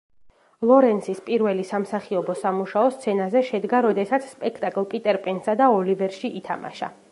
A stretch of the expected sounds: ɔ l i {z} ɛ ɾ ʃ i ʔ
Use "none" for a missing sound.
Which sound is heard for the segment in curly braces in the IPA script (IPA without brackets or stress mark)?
v